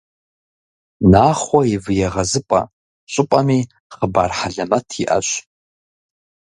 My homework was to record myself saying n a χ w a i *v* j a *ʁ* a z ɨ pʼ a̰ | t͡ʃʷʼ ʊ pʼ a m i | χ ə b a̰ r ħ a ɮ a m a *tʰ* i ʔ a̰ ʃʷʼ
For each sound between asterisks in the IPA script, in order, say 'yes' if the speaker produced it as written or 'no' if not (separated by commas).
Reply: yes, yes, yes